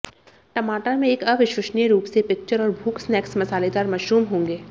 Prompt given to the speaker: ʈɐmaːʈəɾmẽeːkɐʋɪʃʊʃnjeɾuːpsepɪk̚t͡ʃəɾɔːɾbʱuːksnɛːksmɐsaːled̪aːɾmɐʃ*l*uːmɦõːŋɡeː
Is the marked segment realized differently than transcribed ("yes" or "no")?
yes